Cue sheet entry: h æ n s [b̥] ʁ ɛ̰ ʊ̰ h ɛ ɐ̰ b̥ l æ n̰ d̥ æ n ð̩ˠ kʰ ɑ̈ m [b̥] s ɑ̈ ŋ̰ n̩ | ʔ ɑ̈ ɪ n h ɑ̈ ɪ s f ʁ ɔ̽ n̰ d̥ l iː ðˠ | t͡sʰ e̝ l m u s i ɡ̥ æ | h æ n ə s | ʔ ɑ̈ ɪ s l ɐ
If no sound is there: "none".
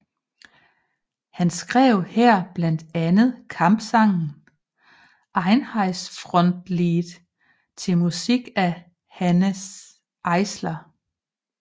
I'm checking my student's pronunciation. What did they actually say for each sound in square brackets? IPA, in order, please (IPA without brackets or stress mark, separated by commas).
ɡ̥, b̥